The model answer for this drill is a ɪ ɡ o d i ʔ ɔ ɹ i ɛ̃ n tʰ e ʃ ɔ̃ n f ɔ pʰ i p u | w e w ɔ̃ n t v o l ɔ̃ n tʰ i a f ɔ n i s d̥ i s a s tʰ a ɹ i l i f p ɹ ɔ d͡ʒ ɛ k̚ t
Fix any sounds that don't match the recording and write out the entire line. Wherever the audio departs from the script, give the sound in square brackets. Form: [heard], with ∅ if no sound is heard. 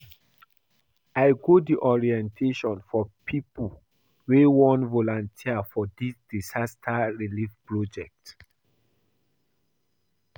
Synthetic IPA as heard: a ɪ ɡ o d i ʔ ɔ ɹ i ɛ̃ n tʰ e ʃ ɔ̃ n f ɔ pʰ i p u | w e w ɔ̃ n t v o l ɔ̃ n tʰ i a f ɔ [d] i s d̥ i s a s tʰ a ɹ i l i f p ɹ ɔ d͡ʒ ɛ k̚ t